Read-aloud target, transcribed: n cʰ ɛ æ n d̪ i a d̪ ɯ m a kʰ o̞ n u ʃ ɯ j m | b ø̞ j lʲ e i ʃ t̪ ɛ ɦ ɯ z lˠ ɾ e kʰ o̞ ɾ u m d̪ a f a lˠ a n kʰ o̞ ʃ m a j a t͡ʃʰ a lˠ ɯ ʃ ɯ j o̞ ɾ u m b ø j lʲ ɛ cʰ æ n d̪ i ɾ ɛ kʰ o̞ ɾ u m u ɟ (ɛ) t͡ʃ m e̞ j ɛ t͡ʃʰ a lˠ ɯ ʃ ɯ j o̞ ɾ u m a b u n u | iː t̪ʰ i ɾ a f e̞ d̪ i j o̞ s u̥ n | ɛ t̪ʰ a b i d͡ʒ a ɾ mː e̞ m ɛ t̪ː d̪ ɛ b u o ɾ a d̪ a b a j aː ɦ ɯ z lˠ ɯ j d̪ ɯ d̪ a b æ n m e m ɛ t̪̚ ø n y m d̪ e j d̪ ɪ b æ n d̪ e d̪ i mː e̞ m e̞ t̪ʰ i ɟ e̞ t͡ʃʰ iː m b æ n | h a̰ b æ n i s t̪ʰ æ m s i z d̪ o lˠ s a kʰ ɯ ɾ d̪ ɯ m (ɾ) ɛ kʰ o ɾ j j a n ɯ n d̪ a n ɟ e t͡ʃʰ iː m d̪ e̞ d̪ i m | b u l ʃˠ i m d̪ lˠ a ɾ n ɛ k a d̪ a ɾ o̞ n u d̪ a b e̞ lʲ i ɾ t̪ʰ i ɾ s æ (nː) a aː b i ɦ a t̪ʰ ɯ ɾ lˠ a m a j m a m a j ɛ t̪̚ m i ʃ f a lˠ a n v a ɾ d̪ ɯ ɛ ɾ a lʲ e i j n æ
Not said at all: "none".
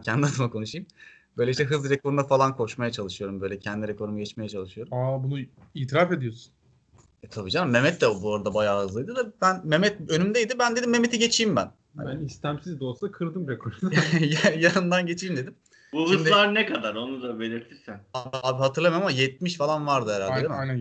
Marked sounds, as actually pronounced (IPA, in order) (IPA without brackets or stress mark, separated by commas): ɛ, ɾ, n